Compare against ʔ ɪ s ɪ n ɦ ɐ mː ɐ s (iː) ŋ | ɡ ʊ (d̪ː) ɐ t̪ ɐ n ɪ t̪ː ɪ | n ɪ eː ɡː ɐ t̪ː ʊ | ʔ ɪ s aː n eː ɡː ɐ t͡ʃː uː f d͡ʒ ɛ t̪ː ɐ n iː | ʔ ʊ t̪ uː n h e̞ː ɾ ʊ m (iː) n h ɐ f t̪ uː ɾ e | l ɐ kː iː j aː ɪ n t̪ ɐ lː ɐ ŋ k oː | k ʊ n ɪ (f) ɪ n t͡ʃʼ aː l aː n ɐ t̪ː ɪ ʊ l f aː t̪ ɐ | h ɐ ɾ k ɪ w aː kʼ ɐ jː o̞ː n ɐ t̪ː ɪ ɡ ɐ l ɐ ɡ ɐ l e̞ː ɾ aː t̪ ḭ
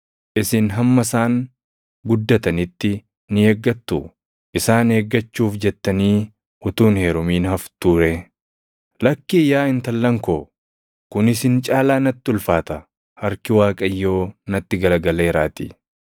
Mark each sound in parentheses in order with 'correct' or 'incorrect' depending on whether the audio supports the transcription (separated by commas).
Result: incorrect, correct, correct, incorrect